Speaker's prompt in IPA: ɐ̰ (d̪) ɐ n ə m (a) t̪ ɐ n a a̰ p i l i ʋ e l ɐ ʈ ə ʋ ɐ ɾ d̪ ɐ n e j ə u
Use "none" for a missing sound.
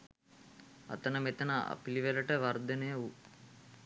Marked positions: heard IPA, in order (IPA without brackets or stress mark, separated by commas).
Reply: t̪, e